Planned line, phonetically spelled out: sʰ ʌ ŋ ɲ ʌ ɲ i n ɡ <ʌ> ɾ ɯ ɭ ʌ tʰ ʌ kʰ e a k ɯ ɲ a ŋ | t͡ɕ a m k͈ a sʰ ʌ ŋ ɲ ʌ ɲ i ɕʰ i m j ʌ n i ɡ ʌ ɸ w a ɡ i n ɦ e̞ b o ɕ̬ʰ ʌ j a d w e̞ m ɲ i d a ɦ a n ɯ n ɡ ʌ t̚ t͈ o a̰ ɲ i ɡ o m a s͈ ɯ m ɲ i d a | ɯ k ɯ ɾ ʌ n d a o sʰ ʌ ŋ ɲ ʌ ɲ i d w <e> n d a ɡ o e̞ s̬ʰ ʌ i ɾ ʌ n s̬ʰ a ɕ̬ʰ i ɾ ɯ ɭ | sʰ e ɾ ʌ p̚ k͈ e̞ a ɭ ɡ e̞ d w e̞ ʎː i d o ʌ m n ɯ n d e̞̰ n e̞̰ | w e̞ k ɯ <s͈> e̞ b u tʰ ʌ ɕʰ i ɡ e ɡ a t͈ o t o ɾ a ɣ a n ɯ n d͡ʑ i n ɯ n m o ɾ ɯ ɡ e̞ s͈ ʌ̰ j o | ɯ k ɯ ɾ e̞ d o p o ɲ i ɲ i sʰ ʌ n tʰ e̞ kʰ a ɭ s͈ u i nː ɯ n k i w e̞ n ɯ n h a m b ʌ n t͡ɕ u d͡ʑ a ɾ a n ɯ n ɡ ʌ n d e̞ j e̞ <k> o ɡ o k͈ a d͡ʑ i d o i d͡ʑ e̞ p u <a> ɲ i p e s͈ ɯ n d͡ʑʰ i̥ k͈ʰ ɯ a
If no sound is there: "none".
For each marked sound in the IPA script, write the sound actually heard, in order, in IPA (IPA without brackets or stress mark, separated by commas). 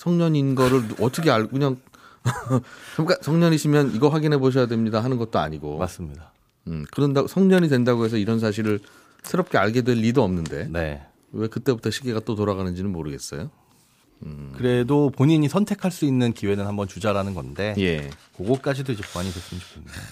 ʌ, e, t͈, k, a